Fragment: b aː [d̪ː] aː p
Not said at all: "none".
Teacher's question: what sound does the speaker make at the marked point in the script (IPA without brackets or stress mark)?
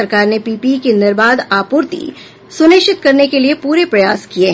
d̪